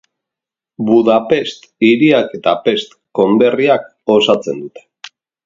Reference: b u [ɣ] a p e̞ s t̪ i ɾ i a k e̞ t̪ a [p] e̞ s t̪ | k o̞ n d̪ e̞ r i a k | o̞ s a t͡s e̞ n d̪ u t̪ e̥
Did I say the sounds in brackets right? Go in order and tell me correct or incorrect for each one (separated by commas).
incorrect, correct